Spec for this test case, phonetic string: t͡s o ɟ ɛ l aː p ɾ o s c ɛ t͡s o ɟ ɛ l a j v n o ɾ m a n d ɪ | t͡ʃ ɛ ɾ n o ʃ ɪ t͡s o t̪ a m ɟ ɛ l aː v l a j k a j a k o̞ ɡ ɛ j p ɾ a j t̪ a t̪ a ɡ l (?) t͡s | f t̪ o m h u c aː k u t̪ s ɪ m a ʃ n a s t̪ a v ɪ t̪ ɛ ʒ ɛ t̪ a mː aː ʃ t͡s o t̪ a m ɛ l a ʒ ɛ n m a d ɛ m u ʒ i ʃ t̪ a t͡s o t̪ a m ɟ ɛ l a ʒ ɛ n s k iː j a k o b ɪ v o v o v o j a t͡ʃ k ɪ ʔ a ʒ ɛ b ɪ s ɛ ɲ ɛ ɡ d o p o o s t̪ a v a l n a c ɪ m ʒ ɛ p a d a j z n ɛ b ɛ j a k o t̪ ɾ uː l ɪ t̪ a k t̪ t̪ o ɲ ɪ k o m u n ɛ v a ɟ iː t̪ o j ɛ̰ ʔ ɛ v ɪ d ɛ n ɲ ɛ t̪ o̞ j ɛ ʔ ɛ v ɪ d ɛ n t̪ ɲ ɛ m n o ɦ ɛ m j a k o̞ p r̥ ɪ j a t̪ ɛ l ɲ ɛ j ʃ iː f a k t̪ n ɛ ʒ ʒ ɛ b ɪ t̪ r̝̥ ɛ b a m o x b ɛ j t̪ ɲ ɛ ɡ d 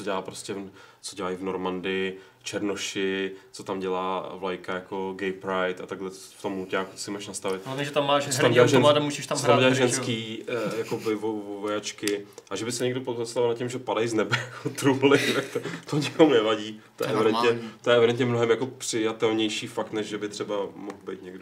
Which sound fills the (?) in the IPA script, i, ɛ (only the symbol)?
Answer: ɛ